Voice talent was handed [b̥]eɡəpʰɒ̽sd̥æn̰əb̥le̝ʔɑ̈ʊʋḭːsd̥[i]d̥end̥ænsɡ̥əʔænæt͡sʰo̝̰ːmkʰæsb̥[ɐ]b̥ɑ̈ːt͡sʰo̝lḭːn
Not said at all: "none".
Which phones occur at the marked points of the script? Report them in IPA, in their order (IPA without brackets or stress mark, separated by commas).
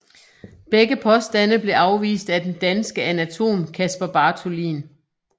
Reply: b̥, æ, ɐ